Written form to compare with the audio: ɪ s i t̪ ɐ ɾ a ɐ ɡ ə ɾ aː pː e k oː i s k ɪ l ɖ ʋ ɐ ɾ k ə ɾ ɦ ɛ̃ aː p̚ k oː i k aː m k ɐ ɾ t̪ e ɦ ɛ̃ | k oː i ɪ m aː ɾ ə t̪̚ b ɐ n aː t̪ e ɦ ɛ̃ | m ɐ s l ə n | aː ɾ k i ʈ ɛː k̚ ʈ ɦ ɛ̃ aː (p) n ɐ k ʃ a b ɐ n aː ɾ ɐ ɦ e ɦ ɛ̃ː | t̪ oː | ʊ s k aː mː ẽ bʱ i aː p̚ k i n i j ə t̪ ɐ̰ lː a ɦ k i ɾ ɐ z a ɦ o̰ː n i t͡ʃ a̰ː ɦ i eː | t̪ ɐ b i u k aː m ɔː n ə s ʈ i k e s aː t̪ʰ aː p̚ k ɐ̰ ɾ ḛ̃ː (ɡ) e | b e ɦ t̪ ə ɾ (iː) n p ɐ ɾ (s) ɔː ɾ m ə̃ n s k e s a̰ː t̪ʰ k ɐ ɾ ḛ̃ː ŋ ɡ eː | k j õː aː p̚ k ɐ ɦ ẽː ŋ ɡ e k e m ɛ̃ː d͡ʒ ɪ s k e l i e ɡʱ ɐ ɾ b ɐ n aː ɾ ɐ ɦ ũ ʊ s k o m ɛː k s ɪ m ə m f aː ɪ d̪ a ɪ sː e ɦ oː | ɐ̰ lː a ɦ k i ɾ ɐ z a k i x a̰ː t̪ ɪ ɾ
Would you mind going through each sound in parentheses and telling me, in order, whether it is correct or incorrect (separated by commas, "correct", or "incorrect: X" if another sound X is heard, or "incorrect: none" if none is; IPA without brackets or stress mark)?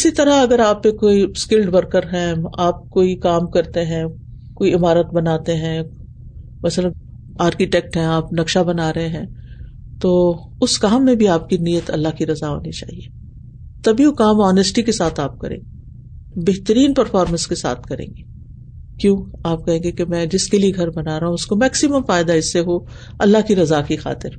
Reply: correct, correct, correct, incorrect: f